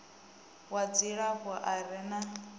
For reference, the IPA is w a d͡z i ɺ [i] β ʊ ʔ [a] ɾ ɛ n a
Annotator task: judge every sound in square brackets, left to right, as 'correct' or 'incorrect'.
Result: incorrect: a, correct

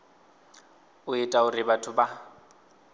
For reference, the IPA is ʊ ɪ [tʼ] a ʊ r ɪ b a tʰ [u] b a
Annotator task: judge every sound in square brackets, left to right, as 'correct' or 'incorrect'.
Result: correct, incorrect: ʊ

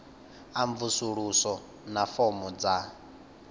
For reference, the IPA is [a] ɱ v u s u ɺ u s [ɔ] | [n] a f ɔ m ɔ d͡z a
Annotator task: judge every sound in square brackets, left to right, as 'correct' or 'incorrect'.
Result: correct, correct, correct

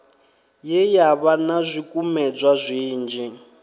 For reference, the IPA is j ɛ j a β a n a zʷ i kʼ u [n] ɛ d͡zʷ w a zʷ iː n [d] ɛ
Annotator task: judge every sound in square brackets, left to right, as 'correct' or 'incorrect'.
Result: incorrect: m, incorrect: d͡ʒ

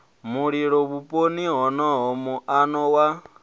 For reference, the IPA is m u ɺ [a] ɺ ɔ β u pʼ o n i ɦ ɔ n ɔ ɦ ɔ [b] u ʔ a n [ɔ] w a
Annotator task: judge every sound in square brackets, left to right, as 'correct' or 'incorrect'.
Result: incorrect: i, incorrect: m, correct

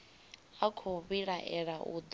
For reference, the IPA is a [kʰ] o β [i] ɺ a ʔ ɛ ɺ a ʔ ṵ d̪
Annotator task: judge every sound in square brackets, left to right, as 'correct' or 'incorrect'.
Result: correct, correct

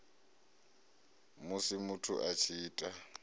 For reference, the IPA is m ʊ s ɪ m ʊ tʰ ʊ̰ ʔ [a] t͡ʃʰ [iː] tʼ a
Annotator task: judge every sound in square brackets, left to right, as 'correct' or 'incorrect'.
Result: correct, correct

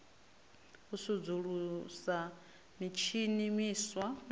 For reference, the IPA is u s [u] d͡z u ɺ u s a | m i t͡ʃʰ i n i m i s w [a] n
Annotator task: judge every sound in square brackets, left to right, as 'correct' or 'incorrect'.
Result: correct, correct

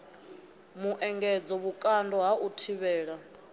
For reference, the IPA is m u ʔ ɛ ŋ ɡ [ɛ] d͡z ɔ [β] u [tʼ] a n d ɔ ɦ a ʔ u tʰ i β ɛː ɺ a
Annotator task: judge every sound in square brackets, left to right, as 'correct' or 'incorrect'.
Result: correct, correct, incorrect: kʼ

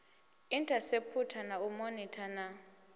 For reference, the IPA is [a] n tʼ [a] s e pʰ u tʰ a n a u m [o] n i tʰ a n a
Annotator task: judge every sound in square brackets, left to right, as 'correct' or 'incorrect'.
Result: incorrect: i, correct, correct

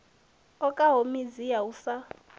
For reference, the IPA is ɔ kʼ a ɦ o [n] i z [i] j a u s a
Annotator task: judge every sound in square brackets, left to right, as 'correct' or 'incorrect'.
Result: incorrect: m, correct

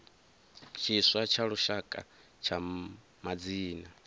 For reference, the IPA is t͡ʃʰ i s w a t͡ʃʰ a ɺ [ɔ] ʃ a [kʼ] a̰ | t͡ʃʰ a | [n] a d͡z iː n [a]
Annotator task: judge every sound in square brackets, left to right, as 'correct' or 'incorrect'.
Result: incorrect: u, correct, incorrect: m, correct

